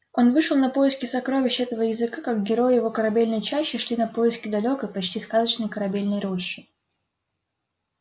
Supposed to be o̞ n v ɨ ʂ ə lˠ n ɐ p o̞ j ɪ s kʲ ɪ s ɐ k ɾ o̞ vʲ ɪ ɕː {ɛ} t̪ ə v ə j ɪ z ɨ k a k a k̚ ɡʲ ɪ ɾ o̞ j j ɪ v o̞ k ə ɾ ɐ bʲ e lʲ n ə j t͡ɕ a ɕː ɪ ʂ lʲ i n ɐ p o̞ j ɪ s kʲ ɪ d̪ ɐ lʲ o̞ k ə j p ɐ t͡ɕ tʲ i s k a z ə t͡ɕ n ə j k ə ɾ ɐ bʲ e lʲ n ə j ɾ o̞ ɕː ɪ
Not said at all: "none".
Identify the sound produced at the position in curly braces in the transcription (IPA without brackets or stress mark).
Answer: ɛ